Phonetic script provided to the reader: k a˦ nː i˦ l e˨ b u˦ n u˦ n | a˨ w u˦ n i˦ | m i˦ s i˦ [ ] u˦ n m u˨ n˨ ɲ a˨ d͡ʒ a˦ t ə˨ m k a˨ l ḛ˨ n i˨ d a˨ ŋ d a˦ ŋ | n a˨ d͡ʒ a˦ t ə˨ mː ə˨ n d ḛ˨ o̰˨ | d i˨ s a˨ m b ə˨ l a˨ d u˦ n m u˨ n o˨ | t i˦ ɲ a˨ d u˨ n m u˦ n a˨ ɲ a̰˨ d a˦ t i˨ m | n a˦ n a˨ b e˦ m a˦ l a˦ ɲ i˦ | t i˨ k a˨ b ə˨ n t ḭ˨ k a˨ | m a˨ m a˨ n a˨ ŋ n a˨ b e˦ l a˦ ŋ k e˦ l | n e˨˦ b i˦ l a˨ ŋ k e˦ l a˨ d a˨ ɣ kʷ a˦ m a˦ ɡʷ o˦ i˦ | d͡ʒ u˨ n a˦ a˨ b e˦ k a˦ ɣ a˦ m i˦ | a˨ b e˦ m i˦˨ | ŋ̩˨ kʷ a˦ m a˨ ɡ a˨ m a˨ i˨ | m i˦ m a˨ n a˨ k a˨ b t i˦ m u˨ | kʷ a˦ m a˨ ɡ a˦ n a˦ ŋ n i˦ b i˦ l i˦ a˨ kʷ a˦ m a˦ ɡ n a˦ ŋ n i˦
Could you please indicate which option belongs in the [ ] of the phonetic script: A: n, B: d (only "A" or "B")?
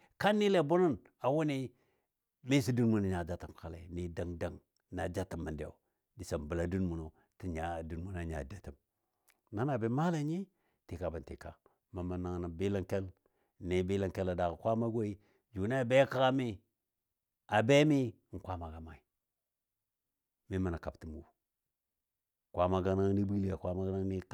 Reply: B